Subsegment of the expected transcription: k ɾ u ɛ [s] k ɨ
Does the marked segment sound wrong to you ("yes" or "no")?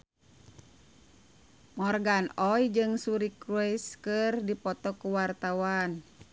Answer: no